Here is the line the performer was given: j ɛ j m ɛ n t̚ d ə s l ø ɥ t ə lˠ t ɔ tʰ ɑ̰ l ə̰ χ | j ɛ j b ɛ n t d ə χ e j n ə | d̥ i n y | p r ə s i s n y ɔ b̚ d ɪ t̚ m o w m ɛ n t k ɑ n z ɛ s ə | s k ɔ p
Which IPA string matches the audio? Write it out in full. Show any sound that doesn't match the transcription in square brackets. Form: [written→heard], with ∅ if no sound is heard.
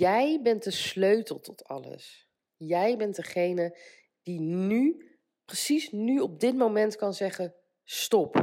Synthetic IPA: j ɛ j [m→b] ɛ n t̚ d ə s l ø ɥ t ə lˠ t ɔ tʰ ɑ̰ l ə̰ [χ→s] | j ɛ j b ɛ n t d ə χ e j n ə | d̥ i n y | p r ə s i s n y ɔ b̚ d ɪ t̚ m o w m ɛ n t k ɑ n z ɛ [s→χ] ə | s [k→t] ɔ p